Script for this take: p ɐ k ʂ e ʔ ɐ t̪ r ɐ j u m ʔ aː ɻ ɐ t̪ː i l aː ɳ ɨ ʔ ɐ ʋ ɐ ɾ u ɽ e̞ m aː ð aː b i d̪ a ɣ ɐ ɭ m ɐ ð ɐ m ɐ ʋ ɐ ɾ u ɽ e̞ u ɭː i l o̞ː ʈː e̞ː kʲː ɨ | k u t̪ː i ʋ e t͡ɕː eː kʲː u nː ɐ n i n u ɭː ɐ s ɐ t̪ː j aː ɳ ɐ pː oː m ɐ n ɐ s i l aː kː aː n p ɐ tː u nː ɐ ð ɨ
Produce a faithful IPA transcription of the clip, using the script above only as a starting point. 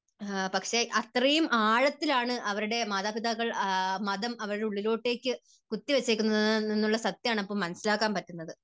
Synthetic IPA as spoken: p ɐ k ʂ e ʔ ɐ t̪ r ɐ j u m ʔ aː ɻ ɐ t̪ː i l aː ɳ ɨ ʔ ɐ ʋ ɐ ɾ u ɽ e̞ m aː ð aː b i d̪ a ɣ ɐ ɭ m ɐ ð ɐ m ɐ ʋ ɐ ɾ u ɽ e̞ u ɭː i l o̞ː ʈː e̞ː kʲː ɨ | k u t̪ː i ʋ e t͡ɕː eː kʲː u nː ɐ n i nː u ɭː ɐ s ɐ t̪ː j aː ɳ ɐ pː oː m ɐ n ɐ s i l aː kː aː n p ɐ tː u nː ɐ ð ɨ